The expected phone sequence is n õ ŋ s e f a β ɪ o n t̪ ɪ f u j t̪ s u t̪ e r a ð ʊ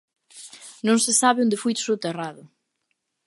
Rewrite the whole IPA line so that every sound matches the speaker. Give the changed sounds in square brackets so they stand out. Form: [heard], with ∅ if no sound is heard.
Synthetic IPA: n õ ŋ s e [s] a β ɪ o n [d̪] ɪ f u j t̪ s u t̪ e r a ð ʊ